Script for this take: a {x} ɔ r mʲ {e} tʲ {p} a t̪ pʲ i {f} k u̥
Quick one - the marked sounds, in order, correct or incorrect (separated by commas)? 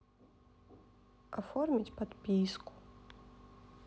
incorrect, incorrect, correct, incorrect